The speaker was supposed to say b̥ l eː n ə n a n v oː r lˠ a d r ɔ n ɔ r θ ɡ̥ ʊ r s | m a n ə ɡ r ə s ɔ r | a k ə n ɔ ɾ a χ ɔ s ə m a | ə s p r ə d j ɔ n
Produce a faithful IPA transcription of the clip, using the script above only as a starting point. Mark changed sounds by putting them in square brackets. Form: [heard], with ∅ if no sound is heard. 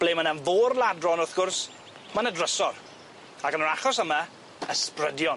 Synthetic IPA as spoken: b̥ l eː [m] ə n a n v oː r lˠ a d r ɔ n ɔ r θ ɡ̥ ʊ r s | m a n ə [d] r ə s ɔ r | a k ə n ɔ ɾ a χ ɔ s ə m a | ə s p r ə d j ɔ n